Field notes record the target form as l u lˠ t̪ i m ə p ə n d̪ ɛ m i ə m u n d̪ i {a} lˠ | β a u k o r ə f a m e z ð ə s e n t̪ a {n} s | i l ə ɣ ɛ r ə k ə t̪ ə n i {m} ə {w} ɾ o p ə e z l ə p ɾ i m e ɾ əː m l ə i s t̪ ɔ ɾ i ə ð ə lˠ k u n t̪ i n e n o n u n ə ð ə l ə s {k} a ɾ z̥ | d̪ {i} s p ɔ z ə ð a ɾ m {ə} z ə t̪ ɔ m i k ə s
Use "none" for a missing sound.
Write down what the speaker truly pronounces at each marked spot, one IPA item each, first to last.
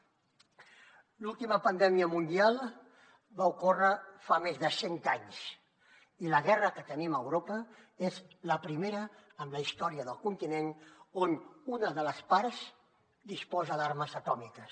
a, ɲ, m, w, p, i, ə

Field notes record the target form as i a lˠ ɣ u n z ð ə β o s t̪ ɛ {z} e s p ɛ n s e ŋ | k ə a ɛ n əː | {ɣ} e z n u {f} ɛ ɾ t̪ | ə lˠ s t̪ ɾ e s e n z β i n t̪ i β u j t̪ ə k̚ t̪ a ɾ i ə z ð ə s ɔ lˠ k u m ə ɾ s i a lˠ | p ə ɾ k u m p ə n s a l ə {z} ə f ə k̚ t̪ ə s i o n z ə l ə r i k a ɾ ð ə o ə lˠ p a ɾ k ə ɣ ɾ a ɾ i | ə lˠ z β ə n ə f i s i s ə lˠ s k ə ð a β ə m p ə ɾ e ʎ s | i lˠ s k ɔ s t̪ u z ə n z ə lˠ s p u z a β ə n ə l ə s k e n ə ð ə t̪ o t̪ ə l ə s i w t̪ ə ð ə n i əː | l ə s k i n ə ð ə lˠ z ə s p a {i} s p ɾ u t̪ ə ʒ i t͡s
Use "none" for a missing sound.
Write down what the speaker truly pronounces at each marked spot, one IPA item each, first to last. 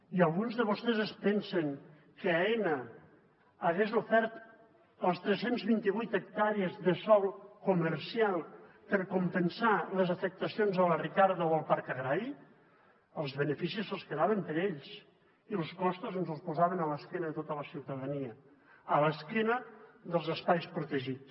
z, ɣ, f, z, j

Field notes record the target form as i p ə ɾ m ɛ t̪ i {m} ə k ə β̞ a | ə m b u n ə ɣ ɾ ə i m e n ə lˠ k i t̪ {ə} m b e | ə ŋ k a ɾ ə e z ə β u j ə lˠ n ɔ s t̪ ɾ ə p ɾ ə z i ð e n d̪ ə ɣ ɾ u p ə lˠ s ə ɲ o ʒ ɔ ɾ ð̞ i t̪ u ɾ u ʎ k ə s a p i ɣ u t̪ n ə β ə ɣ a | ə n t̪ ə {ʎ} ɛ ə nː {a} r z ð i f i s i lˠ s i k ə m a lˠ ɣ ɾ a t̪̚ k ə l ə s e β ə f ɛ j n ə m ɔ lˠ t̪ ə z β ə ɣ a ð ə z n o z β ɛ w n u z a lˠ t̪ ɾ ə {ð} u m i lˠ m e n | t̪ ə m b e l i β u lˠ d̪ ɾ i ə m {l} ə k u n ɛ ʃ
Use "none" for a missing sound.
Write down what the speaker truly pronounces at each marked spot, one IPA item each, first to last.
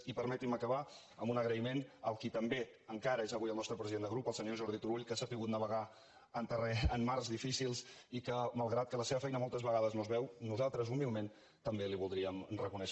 m, ə, r, a, z, r

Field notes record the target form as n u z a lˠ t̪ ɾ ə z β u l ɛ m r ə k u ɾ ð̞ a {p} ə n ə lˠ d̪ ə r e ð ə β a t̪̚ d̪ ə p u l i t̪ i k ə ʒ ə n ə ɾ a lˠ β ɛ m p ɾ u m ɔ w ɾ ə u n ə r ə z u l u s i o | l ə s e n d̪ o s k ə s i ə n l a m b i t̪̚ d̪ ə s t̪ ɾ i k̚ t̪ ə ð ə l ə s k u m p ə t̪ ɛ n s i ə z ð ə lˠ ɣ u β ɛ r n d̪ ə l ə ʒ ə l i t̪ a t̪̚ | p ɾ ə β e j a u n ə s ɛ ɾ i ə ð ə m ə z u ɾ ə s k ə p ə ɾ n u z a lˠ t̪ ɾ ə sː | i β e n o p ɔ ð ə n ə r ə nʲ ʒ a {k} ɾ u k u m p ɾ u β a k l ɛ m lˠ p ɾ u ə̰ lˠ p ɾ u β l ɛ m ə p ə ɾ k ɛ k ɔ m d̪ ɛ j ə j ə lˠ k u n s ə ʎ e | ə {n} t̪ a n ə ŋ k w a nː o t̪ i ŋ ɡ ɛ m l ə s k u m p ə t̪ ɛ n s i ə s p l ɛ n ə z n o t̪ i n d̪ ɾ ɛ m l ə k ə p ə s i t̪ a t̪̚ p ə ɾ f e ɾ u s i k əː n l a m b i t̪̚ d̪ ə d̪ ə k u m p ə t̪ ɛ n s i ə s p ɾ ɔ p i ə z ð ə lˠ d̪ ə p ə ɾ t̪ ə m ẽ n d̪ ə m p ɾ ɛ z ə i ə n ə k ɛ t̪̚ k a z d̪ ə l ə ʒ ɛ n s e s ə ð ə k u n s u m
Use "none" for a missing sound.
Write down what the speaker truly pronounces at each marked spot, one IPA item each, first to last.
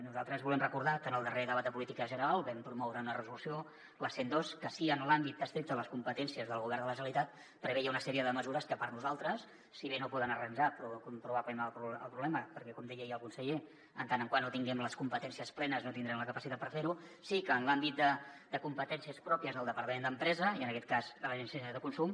k, p, n

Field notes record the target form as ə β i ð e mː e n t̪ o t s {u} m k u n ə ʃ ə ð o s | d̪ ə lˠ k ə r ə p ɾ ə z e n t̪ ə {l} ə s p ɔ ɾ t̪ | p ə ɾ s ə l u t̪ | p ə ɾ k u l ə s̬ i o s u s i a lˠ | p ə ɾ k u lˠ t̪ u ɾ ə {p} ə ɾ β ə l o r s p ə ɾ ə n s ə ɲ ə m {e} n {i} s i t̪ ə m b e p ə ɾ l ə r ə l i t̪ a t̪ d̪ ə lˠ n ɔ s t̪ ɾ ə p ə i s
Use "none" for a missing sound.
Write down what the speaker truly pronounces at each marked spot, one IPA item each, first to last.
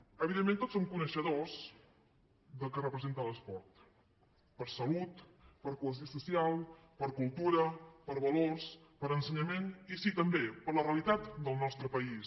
o, l, p, e, i

